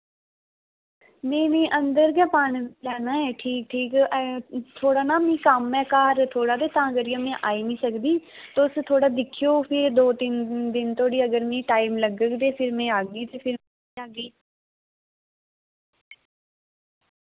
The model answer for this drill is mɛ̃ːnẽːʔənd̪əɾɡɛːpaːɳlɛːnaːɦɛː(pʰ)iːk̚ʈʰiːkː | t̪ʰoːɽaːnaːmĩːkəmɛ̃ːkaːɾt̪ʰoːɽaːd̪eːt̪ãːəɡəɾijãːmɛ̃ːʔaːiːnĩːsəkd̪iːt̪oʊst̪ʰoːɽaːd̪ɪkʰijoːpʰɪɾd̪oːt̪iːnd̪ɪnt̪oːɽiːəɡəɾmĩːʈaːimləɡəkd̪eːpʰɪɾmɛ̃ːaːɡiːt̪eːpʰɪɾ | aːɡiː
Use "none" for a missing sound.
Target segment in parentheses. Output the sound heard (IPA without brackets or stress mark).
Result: ʈʰ